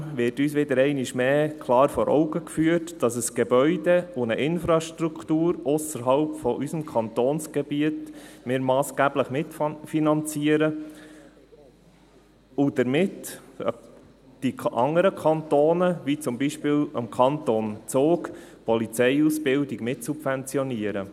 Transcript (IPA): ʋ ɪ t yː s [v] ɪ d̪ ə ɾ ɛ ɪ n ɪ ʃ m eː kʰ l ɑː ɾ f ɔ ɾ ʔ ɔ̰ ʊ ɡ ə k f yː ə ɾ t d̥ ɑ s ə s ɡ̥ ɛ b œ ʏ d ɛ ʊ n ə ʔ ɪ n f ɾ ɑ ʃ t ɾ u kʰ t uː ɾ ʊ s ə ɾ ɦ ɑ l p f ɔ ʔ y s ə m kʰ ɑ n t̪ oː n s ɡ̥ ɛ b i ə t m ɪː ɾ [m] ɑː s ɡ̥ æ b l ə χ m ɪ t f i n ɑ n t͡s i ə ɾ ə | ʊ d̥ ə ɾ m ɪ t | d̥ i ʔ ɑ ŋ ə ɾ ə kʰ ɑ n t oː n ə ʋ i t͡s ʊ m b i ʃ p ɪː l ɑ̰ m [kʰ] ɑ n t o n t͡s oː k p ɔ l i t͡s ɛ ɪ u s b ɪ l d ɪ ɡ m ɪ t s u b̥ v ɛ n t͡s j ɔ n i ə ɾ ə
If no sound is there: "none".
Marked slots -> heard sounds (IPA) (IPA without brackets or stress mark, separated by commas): ʋ, m, kʰ